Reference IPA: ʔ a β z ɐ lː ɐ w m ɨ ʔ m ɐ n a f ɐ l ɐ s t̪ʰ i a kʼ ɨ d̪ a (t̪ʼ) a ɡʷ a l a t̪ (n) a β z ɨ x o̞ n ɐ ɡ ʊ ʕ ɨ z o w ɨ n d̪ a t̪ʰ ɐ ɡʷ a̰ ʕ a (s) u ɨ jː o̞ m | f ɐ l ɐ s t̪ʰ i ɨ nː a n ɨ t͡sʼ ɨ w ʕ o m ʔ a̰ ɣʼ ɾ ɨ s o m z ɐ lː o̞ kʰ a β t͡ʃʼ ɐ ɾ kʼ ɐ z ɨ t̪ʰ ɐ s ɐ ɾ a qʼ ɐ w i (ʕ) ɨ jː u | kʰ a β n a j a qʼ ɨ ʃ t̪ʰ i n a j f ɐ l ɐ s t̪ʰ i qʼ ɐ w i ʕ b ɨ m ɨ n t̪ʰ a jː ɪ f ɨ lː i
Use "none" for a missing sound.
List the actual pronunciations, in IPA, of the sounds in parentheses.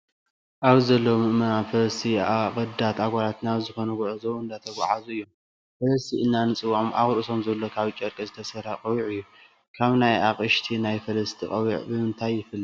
t̪, n, z, ʕ

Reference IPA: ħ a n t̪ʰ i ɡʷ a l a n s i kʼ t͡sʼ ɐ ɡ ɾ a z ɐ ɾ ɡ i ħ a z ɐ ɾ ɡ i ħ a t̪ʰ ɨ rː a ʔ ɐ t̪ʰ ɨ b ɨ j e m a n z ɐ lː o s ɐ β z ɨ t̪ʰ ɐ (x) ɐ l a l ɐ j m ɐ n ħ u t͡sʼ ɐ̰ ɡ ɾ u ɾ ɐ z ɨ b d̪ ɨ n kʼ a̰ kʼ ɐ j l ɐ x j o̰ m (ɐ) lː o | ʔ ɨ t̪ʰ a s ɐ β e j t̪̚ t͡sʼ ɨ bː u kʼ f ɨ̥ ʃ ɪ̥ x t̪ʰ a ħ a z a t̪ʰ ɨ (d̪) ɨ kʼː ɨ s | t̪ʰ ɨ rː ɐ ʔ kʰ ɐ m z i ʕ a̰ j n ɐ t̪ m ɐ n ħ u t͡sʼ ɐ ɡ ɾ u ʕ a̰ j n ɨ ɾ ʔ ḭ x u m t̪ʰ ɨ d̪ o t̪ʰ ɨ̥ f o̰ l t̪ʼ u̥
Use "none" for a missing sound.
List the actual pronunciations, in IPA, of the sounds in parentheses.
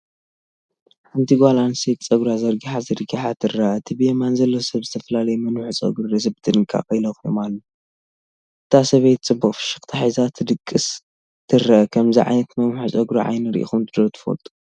f, a, d̪

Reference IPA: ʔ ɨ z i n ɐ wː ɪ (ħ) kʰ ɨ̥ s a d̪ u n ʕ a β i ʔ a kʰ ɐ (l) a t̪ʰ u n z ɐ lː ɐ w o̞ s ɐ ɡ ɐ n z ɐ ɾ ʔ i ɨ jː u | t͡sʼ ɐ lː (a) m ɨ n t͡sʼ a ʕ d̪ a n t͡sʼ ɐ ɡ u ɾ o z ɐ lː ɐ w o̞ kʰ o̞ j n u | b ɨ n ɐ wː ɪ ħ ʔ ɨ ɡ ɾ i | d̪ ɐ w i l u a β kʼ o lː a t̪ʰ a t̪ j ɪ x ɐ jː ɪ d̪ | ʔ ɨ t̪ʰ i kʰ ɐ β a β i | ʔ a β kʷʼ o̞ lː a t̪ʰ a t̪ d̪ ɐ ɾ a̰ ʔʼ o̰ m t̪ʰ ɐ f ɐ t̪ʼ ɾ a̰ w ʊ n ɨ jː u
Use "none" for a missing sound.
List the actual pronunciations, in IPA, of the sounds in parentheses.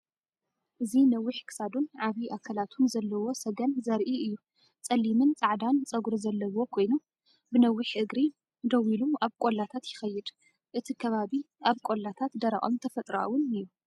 ħ, l, i

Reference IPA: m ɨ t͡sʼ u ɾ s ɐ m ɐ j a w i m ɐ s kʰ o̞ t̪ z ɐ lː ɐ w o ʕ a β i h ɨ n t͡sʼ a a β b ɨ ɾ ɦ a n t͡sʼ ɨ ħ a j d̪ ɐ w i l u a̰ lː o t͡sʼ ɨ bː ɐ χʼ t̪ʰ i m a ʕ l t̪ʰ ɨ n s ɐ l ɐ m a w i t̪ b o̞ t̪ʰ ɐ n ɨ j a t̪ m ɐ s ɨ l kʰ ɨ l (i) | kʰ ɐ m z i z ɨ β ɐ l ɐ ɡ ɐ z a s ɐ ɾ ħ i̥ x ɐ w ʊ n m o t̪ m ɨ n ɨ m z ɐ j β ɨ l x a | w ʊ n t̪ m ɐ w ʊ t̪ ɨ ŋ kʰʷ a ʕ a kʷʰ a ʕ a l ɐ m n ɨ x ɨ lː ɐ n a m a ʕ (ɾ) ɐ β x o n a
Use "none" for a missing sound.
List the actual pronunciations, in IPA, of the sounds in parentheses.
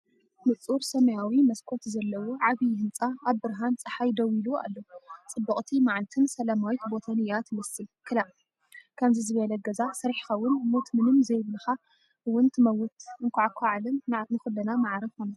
a, ɾ

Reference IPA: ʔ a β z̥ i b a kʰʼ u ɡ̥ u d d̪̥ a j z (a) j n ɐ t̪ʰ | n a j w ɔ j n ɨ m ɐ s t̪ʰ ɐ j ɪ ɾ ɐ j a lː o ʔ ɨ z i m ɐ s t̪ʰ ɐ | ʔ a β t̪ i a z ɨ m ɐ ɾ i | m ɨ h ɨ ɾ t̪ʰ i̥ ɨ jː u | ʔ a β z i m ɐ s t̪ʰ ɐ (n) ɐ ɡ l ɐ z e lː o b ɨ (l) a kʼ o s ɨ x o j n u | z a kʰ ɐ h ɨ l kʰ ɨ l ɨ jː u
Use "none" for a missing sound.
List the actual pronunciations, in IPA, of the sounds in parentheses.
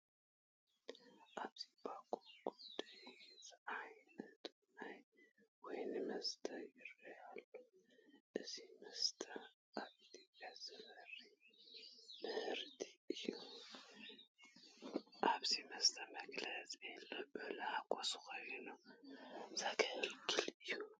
a, m, l

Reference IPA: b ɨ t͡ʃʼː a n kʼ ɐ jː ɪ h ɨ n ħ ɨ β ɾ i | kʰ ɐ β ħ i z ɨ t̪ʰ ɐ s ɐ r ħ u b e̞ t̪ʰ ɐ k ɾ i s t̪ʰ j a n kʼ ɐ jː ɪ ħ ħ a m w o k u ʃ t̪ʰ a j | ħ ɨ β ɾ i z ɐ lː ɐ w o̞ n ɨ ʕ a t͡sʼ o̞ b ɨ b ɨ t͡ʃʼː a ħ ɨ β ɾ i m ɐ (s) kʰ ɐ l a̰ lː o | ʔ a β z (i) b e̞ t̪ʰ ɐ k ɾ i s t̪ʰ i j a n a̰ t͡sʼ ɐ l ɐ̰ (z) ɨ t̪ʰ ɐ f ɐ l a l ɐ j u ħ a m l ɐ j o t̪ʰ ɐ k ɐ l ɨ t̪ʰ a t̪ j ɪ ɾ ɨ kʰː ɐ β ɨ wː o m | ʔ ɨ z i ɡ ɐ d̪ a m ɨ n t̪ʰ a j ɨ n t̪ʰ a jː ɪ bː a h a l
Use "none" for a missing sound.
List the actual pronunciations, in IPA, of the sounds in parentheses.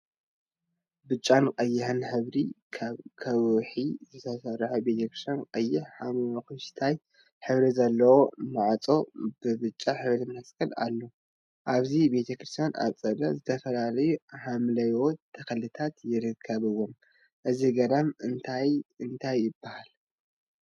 s, i, z

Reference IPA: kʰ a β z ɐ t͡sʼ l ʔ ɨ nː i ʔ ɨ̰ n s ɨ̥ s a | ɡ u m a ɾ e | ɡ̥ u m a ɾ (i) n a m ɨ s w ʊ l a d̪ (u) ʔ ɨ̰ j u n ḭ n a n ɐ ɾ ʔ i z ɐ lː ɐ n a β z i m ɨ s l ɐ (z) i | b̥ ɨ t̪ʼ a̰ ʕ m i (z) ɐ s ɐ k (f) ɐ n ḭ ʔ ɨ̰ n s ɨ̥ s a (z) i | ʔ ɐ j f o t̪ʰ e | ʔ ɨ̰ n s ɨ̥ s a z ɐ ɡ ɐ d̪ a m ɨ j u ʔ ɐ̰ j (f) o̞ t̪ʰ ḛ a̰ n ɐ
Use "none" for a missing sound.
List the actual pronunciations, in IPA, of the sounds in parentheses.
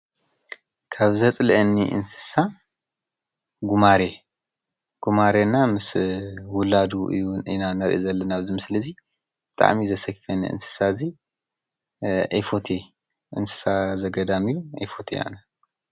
e, u, z, z, f, z, f

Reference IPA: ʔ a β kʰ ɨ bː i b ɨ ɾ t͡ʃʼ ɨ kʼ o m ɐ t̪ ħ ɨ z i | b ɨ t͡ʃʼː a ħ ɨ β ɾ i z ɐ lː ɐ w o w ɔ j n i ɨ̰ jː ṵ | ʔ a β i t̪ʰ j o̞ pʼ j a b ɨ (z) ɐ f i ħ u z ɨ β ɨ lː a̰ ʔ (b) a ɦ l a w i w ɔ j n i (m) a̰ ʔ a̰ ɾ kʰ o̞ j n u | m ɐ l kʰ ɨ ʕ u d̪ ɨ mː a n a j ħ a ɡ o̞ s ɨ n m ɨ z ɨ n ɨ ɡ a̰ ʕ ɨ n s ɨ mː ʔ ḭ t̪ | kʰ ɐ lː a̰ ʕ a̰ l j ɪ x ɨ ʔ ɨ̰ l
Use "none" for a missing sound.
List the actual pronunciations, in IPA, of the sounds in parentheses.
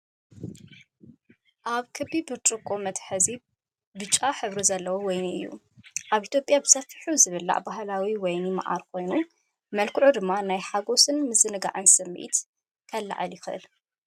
s, b, m

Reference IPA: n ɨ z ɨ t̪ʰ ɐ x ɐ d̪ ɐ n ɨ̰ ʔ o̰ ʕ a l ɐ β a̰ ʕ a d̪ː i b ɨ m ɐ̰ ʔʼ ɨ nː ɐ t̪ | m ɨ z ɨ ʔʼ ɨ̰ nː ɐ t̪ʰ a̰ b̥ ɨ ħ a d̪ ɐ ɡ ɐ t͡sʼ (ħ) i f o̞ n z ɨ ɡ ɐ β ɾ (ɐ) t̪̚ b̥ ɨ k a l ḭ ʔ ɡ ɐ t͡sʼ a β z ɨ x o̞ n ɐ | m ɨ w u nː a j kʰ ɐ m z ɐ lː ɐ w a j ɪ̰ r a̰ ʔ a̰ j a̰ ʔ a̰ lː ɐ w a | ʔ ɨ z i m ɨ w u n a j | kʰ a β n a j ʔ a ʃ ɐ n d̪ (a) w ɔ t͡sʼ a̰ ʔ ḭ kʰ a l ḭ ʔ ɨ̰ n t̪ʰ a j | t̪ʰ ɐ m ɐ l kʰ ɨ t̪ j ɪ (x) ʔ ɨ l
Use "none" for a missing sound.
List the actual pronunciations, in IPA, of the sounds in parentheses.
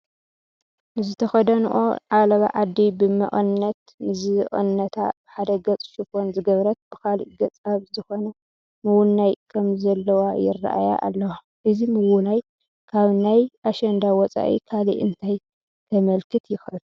ʃ, ɐ, a, x

